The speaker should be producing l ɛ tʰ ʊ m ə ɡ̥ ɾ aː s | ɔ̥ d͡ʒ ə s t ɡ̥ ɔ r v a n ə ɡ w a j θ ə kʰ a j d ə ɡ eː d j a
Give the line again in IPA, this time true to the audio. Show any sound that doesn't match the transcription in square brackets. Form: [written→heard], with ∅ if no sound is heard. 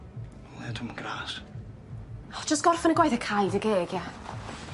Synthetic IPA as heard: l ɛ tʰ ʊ m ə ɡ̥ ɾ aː s | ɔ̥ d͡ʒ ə s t ɡ̥ ɔ r [v→f] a n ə ɡ w a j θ ə kʰ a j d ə ɡ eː [d→ɡ] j a

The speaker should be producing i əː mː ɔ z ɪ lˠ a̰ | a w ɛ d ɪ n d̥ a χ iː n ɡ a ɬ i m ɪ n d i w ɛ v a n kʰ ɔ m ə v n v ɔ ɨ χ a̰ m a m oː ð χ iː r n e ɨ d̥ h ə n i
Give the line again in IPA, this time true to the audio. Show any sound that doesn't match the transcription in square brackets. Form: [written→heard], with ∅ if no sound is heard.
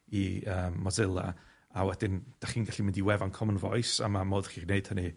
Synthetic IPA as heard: i əː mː ɔ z ɪ lˠ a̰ | a w ɛ d ɪ n d̥ a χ iː n ɡ a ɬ i m ɪ n d i w ɛ v a n kʰ ɔ m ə [v→∅] n v ɔ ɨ [χ→s] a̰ m a m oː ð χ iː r n e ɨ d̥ h ə n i

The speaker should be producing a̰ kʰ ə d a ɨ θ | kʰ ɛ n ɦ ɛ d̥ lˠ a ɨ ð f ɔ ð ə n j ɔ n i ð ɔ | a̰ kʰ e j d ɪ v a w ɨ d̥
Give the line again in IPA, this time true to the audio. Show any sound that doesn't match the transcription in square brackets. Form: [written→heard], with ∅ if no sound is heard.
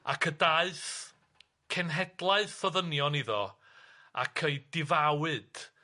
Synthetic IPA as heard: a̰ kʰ ə d a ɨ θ | kʰ ɛ n ɦ ɛ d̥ lˠ a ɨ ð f ɔ ð ə n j ɔ n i ð ɔ | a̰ kʰ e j d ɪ v a w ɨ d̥

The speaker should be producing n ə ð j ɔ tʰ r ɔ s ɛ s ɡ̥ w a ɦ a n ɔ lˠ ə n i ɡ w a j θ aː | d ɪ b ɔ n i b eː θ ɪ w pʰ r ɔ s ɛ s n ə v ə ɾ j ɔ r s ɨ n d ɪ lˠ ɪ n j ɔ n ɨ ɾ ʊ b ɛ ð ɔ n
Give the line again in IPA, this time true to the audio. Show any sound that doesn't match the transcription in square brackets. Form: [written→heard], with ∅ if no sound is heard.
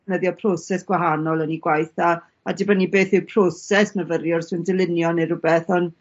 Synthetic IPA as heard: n ə ð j ɔ [tʰ→pʰ] r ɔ s ɛ s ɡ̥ w a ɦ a n ɔ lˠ ə n i ɡ w a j θ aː | d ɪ b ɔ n i b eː θ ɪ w pʰ r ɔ s ɛ s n ə v ə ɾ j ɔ r s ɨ n d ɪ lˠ ɪ n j ɔ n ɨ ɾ ʊ b ɛ [ð→θ] ɔ n

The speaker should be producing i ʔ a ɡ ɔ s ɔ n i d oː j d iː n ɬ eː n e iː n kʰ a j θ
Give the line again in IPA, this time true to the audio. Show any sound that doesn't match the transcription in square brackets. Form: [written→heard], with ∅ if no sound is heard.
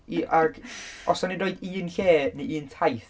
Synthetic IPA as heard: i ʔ a ɡ ɔ s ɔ n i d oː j d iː n ɬ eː n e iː n [kʰ→tʰ] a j θ

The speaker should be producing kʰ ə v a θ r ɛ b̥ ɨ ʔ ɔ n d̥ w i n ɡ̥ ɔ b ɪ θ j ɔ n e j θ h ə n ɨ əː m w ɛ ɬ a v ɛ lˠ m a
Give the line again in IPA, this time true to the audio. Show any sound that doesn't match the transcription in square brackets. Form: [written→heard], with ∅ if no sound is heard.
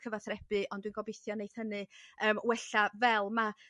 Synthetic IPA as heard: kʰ ə v a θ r ɛ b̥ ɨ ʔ ɔ n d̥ w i n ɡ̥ ɔ b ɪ θ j ɔ n e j θ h ə n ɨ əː m w ɛ ɬ a v ɛ lˠ m a

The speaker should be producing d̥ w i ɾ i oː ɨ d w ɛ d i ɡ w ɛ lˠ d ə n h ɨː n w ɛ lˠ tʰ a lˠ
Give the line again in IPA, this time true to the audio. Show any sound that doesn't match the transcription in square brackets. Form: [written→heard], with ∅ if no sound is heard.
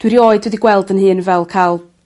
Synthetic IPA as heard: d̥ w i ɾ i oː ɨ d w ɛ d i ɡ w ɛ lˠ d ə n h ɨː n [w→v] ɛ lˠ [tʰ→kʰ] a lˠ

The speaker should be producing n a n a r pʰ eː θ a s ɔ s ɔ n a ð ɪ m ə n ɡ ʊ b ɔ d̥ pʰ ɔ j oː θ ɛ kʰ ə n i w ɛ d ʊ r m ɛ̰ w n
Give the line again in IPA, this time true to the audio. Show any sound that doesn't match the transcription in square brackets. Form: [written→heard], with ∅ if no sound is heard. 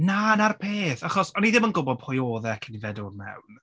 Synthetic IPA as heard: n a n a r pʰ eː θ a [s→χ] ɔ s ɔ n [a→i] ð ɪ m ə n ɡ ʊ b ɔ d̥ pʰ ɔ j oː [θ→ð] ɛ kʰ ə n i [w→v] ɛ d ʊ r m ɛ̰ w n

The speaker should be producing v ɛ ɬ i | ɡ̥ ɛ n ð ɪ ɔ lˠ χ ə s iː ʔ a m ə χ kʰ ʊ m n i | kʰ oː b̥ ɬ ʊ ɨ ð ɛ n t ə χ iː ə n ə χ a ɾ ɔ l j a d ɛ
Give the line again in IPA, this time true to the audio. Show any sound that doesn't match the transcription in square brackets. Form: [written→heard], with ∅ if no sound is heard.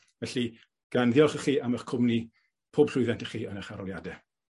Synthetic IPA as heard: v ɛ ɬ i | ɡ̥ [ɛ→a] n ð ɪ ɔ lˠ χ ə [s→χ] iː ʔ a m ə χ kʰ ʊ m n i | [kʰ→pʰ] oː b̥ ɬ ʊ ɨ ð ɛ n t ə χ iː ə n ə χ a ɾ ɔ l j a d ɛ

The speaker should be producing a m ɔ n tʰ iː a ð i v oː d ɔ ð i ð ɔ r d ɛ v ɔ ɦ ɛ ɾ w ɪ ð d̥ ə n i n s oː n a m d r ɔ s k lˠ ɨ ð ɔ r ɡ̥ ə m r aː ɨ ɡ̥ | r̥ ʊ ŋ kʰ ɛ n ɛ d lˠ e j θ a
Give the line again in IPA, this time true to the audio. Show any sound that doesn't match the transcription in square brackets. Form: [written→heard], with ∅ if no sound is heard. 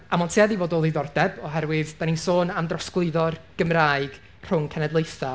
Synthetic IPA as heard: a m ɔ n tʰ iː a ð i v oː d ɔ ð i ð ɔ r d ɛ [v→b] ɔ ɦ ɛ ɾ w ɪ ð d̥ [ə→a] n i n s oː n a m d r ɔ s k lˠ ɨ ð ɔ r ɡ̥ ə m r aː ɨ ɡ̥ | r̥ ʊ ŋ kʰ ɛ n ɛ d lˠ e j θ a

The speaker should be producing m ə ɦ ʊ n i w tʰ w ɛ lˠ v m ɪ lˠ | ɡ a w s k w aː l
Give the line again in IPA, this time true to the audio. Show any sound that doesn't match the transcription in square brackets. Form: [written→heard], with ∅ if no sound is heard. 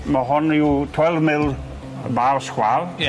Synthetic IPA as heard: m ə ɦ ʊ n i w tʰ w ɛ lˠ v m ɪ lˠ | [ɡ→b] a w s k w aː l

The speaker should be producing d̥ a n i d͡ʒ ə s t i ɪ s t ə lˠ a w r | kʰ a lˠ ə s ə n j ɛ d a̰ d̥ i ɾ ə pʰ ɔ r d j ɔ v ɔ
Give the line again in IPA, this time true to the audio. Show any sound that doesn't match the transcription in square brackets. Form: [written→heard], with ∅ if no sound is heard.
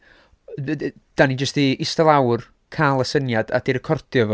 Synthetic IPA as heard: d̥ a n i d͡ʒ ə s t i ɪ s t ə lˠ a w r | kʰ a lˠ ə s ə n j [ɛ→a] d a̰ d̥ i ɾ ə [pʰ→kʰ] ɔ r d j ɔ v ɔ

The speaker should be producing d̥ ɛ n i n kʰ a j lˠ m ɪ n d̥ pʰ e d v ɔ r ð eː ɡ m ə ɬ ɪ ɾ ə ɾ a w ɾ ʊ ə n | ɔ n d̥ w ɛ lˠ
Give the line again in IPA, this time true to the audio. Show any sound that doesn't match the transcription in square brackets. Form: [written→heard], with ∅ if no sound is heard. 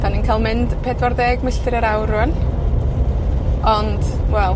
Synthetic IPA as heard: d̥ [ɛ→a] n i n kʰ a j lˠ m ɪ n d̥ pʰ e d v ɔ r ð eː ɡ m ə ɬ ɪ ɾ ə ɾ a w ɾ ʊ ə n | ɔ n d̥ w ɛ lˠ

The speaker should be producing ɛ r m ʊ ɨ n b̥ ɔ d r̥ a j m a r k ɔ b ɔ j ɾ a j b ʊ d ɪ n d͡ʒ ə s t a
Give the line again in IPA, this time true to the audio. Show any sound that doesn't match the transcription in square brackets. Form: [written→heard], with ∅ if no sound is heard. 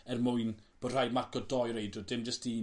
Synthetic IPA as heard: ɛ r m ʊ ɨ n b̥ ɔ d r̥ a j m a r k ɔ [b→d] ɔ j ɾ [a→e] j [b→d] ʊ d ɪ [n→m] d͡ʒ ə s t [a→i]

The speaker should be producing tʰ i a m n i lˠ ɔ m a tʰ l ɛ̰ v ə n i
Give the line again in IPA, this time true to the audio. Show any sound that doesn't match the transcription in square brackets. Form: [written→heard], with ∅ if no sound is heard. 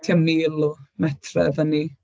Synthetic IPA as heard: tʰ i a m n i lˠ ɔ m [a→ɛ] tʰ [l→r] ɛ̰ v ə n i

